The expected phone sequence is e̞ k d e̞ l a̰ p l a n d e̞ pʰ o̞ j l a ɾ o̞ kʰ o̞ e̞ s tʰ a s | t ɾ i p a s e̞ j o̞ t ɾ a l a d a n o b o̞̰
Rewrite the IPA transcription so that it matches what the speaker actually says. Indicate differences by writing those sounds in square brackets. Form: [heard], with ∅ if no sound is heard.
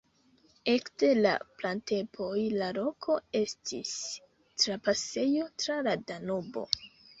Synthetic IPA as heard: e̞ k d e̞ l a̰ p l a n [t] e̞ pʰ o̞ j l a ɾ o̞ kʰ o̞ e̞ s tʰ [i] s | t ɾ [a] p a s e̞ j o̞ t ɾ a l a d a n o b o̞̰